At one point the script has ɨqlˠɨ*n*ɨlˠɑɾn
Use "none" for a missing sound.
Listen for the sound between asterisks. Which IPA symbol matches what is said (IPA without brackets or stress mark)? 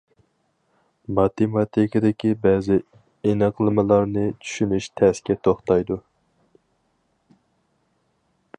m